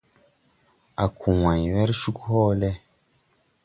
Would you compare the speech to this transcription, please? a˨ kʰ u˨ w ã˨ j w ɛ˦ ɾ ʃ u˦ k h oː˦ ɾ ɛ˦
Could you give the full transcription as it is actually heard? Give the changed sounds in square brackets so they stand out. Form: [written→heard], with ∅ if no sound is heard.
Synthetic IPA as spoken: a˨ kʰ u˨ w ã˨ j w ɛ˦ ɾ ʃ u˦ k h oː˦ [ɾ→l] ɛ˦